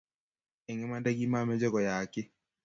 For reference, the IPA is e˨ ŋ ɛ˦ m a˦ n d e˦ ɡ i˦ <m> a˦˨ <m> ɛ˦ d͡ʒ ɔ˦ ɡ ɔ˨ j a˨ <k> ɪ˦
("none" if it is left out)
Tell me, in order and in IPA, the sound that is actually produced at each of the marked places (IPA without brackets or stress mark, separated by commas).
m, m, k